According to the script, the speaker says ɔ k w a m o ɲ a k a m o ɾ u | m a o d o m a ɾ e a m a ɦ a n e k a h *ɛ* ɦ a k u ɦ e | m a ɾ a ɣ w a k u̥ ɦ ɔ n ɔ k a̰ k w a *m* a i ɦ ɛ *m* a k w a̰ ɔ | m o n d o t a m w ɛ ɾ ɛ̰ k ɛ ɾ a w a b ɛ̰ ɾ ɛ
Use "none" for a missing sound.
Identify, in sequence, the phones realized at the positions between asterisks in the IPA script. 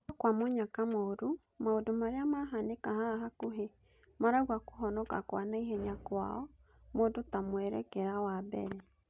a, n, ɲ

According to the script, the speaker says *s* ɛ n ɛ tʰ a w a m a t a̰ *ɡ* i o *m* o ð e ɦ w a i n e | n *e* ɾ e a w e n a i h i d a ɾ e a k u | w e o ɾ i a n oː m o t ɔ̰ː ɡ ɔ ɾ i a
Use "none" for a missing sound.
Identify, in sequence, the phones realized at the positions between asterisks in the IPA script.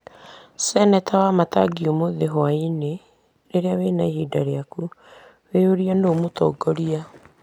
s, ɡ, m, e

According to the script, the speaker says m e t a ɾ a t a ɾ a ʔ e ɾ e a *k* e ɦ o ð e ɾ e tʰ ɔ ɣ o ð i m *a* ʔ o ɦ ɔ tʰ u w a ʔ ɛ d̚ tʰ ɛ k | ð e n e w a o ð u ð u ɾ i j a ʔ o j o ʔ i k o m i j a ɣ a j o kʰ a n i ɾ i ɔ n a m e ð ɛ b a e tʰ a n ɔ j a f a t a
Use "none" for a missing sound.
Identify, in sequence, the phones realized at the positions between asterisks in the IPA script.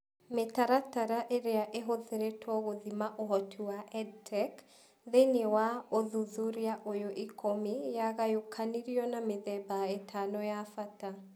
ʔ, a

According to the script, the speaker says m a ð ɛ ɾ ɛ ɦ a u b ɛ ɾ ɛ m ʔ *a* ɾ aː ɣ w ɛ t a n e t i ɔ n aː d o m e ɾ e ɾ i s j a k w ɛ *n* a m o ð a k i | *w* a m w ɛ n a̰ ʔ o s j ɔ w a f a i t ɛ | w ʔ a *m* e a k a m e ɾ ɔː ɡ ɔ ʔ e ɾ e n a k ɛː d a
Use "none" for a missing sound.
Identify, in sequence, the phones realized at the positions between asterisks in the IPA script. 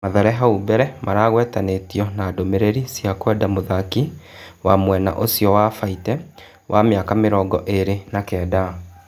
a, d, w, m

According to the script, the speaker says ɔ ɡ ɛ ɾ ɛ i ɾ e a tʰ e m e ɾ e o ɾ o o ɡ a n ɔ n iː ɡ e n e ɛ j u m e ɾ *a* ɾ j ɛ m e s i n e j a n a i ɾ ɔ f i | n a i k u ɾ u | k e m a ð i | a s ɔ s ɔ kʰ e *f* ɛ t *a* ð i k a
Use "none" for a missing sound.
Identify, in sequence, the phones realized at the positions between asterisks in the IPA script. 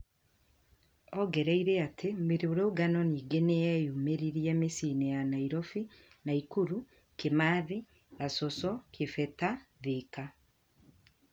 i, f, a

